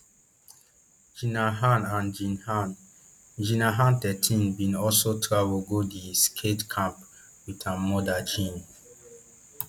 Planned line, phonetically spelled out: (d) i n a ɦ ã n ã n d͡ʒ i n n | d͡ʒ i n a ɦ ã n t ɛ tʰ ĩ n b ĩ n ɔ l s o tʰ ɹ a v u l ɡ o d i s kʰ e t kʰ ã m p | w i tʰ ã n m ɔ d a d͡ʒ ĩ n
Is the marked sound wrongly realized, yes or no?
yes